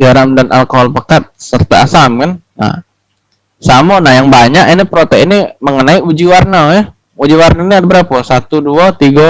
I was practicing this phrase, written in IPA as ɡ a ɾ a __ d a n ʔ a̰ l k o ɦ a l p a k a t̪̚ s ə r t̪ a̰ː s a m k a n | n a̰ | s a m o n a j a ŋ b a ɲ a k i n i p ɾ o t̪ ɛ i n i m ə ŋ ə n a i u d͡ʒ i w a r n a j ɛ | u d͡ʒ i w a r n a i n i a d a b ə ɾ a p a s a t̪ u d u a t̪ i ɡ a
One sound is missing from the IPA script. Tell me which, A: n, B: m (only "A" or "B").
B